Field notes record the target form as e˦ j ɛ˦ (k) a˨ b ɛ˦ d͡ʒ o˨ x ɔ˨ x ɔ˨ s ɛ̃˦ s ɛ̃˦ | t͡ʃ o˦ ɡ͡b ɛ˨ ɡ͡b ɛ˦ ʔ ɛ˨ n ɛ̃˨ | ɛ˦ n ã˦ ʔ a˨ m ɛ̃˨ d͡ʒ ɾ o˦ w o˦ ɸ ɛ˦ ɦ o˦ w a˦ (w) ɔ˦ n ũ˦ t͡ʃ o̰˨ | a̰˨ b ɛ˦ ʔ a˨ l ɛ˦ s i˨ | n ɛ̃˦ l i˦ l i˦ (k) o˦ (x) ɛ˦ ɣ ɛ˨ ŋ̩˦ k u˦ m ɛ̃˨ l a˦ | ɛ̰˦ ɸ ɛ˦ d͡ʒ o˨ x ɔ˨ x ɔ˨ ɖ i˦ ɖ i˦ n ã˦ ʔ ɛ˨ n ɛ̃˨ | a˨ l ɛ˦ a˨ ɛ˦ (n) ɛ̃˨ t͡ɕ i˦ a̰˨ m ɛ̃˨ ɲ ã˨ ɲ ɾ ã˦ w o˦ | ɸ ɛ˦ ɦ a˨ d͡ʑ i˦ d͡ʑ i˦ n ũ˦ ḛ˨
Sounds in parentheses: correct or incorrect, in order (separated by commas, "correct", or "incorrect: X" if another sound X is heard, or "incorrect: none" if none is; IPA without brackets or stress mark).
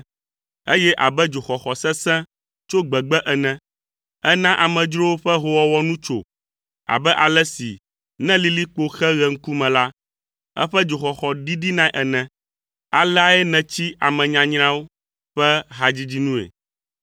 incorrect: ʔ, correct, incorrect: k͡p, correct, correct